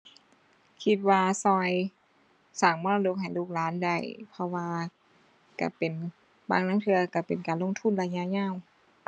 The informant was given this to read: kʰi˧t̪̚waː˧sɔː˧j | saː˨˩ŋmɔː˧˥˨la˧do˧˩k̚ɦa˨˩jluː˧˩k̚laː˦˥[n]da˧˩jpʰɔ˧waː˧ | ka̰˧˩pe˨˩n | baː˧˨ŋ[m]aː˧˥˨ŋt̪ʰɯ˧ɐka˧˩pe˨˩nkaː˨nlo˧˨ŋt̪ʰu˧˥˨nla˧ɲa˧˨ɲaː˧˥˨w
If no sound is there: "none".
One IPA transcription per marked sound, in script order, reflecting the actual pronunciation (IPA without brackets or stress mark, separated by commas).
n, n